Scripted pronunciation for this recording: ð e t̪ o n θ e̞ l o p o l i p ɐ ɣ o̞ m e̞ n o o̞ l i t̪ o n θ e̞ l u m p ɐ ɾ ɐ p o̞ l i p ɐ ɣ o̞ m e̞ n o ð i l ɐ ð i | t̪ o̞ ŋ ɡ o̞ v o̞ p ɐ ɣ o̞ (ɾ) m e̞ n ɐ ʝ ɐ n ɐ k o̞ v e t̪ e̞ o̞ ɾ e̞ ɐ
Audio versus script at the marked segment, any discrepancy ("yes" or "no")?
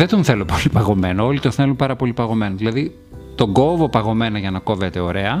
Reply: yes